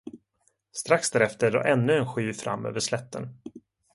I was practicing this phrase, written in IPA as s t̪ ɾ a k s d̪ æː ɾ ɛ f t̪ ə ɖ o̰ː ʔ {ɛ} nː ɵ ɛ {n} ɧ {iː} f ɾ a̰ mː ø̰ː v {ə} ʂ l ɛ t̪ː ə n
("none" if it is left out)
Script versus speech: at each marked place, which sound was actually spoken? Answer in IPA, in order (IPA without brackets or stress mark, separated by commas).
ɛ, n, yː, ə